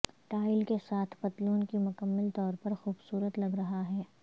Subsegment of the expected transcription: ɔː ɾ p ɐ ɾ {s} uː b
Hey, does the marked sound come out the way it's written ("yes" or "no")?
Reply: no